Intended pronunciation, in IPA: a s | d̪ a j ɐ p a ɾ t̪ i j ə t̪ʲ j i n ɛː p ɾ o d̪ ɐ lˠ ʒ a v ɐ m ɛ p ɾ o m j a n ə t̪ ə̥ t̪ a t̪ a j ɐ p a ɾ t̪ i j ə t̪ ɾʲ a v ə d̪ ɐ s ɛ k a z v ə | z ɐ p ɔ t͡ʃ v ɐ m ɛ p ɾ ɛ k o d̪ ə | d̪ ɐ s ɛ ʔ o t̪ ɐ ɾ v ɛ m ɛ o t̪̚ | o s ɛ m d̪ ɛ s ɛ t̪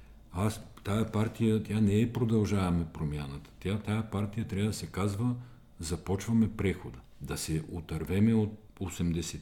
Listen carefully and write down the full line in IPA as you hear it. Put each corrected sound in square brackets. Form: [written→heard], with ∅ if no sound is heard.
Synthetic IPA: a s | [d̪→t̪] a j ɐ p a ɾ t̪ i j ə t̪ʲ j [i→a] n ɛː p ɾ o d̪ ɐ lˠ ʒ a v ɐ m ɛ p ɾ o m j a n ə t̪ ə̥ t̪ a t̪ a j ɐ p a ɾ t̪ i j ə t̪ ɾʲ a v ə d̪ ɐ s ɛ k a z v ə | z ɐ p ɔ t͡ʃ v ɐ m ɛ p ɾ ɛ [k→x] o d̪ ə | d̪ ɐ s ɛ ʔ o t̪ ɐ ɾ v ɛ m ɛ o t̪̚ | o s ɛ m d̪ ɛ s ɛ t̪